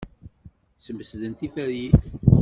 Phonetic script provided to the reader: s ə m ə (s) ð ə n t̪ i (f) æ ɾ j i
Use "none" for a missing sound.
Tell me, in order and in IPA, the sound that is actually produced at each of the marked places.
s, f

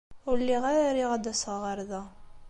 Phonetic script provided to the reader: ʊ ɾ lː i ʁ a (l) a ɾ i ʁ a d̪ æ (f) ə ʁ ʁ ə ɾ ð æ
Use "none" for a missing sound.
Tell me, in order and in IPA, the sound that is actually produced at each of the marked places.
ɾ, s

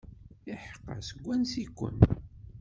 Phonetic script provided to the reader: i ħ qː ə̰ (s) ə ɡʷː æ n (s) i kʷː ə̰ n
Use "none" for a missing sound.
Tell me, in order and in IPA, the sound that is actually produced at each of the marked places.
s, s

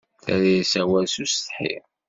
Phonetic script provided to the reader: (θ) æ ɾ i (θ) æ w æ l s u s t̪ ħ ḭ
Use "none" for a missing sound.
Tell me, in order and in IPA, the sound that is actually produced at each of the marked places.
θ, s

